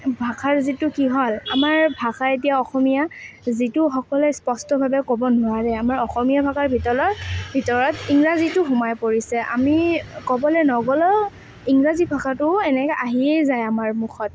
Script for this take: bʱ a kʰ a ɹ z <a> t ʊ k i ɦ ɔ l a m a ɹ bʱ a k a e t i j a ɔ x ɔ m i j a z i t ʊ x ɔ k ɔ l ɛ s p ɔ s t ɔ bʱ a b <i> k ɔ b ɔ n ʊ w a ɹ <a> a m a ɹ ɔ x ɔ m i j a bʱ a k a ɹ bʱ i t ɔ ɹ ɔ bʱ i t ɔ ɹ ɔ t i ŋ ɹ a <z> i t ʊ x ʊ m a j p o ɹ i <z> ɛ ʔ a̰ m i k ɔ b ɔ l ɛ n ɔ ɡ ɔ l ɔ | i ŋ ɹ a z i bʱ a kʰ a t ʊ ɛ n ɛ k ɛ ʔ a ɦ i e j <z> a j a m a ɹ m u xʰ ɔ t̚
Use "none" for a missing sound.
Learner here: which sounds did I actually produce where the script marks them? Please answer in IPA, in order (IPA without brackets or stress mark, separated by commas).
i, ɛ, ɛ, z, s, z